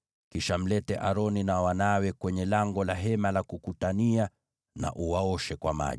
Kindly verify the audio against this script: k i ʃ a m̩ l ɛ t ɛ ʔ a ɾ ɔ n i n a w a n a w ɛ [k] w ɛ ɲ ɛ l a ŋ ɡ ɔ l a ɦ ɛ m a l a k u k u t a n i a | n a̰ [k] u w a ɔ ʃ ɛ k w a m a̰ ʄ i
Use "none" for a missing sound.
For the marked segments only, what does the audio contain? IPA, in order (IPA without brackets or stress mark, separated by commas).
k, ʔ